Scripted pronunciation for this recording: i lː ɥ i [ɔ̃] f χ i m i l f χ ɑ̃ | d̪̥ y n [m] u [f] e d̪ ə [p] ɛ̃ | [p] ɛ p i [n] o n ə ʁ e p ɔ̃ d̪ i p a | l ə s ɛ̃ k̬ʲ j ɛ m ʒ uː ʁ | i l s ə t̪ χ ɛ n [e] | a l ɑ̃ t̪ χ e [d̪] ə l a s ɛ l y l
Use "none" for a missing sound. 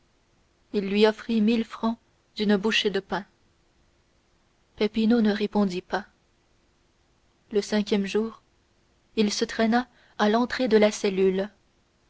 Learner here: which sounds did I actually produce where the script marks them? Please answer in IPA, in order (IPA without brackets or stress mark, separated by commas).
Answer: ɔ, b, ʃ, p, p, n, a, d̪